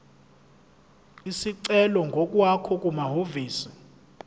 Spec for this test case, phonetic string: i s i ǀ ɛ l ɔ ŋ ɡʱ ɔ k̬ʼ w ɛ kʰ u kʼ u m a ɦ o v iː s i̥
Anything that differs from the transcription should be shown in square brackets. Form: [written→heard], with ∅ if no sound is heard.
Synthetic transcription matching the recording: i s i ǀ ɛ l ɔ ŋ ɡʱ ɔ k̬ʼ w [ɛ→a] kʰ [u→ɔ] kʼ u m a ɦ o v iː s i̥